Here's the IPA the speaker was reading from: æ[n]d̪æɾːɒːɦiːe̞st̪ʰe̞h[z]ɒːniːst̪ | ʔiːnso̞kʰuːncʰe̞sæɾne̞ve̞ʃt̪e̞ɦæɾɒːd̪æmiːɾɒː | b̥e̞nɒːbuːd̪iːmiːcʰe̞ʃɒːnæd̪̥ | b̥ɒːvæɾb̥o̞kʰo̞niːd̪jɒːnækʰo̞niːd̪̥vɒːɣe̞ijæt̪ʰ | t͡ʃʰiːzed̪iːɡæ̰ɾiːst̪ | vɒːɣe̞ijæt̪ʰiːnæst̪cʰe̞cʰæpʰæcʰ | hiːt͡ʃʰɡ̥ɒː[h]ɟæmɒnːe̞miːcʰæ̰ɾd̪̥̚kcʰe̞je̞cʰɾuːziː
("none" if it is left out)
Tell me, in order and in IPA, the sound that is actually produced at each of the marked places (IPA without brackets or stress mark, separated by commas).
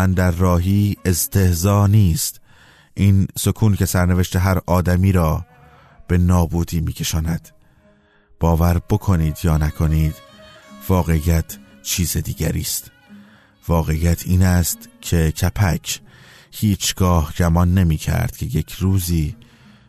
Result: n, z, h